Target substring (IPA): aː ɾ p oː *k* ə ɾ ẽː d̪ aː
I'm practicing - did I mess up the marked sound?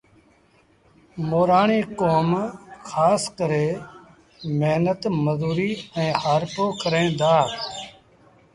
no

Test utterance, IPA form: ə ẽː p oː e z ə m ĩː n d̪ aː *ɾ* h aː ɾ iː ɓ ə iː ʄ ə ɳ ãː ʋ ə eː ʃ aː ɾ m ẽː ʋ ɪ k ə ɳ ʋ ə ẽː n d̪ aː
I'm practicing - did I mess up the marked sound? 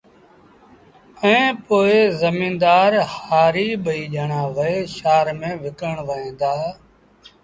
no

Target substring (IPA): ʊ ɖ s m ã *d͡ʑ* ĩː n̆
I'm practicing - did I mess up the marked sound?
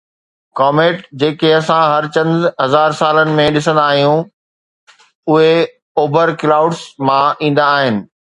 yes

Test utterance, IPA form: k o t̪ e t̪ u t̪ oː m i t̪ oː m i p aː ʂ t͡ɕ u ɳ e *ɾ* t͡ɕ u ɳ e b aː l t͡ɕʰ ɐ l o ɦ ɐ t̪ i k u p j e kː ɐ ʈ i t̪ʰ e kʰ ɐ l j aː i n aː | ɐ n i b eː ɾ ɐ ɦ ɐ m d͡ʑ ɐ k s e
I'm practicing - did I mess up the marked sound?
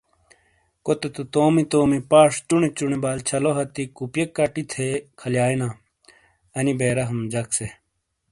yes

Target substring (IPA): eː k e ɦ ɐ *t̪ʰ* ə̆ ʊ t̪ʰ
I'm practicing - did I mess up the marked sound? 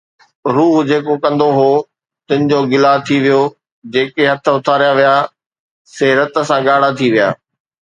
no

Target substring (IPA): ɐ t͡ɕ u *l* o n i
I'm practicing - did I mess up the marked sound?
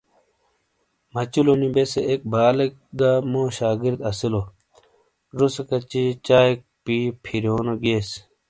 no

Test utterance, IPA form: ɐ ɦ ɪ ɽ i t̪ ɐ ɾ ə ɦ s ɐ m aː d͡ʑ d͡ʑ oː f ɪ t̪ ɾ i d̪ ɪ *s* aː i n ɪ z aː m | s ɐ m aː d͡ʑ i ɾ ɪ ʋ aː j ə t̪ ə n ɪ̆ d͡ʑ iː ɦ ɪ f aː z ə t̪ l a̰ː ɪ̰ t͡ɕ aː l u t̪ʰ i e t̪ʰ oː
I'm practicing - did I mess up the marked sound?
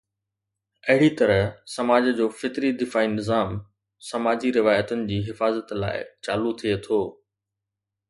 yes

